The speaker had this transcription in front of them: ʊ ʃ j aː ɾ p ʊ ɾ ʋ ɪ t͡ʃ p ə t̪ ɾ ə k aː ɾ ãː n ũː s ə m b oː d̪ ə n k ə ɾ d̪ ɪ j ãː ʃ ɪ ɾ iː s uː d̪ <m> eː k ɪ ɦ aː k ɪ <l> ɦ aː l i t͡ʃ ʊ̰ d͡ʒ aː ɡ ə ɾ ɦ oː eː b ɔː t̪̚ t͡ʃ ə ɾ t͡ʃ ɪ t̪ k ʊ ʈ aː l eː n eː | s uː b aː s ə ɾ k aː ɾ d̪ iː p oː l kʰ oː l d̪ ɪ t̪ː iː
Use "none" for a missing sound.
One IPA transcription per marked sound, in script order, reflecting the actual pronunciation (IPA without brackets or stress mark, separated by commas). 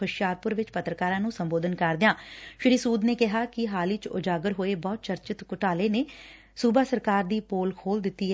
n, none